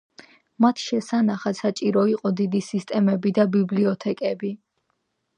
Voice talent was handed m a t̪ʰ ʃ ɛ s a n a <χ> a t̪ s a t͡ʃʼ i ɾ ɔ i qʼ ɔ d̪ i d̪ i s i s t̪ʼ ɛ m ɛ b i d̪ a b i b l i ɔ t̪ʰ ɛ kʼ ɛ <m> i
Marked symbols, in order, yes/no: yes, no

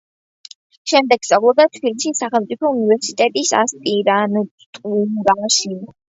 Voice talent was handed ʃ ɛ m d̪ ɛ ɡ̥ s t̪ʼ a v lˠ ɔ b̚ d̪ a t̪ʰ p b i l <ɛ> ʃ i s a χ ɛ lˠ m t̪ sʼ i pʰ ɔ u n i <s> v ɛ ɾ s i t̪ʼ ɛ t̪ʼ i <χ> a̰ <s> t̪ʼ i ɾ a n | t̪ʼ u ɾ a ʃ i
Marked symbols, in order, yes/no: no, no, no, yes

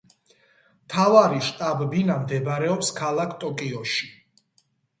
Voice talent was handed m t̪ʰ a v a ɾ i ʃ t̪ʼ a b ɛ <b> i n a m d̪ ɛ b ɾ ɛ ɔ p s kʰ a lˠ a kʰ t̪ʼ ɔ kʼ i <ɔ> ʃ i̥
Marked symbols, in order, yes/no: yes, yes

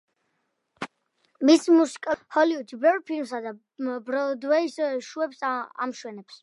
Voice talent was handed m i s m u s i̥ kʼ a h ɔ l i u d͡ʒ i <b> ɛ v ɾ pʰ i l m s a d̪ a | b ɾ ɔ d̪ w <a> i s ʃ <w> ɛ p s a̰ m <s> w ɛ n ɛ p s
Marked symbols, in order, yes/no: yes, no, no, no

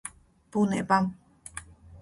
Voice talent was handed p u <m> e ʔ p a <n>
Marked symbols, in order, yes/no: no, no

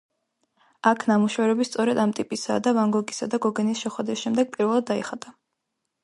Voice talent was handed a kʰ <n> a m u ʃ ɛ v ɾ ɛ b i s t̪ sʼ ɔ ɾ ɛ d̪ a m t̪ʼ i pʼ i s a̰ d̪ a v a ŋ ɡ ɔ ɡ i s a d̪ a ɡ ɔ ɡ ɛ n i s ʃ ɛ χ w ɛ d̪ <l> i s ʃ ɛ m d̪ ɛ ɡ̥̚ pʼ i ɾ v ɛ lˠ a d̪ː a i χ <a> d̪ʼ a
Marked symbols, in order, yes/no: yes, no, yes

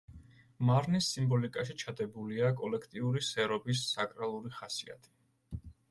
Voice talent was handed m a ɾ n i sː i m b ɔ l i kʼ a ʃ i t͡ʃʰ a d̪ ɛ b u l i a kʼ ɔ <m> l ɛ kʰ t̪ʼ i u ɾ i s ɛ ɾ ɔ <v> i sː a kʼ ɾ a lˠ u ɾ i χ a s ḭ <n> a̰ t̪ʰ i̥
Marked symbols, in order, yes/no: no, no, no

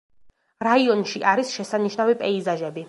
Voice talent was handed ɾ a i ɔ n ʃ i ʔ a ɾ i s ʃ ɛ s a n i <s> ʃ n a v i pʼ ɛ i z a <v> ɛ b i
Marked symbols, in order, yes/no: no, no

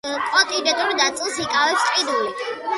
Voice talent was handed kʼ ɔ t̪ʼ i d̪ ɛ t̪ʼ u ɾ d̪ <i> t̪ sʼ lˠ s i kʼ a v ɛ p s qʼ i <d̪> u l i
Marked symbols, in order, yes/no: no, yes

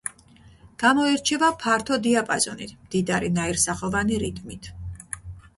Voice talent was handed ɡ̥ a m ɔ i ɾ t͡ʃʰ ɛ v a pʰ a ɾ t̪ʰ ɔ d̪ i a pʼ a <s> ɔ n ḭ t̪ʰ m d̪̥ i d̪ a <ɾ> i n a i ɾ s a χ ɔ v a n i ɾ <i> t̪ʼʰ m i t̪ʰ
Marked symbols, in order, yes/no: no, yes, yes

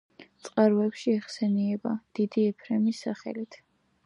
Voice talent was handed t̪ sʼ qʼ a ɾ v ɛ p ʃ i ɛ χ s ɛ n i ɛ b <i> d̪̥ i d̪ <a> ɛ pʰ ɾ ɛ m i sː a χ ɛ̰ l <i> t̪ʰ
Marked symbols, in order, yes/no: no, no, yes

